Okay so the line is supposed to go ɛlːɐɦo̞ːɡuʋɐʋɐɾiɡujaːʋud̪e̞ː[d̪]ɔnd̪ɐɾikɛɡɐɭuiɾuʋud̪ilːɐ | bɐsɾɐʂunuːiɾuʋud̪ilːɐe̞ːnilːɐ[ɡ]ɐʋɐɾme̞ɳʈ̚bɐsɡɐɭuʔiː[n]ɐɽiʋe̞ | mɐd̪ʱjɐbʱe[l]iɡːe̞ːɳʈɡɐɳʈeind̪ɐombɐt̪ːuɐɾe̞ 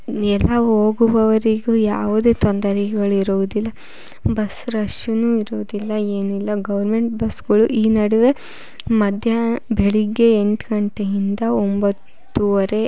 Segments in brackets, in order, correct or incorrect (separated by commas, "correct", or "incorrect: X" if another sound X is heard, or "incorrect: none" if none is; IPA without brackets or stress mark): incorrect: t̪, correct, correct, incorrect: ɭ